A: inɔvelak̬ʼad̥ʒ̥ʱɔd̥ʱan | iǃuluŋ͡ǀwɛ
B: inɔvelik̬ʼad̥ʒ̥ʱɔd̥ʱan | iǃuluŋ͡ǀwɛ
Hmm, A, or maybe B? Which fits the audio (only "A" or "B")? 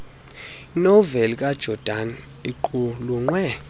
B